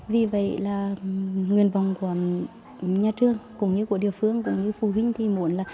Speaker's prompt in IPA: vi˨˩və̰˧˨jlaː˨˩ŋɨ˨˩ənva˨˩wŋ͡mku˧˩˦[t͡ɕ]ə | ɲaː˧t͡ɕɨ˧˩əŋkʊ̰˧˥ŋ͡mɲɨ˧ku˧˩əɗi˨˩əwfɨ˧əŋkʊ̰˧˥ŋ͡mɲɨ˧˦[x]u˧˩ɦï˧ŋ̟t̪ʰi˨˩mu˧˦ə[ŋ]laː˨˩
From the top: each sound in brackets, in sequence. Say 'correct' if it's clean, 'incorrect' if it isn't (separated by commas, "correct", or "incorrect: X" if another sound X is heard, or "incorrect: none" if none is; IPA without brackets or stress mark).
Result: incorrect: none, incorrect: f, incorrect: n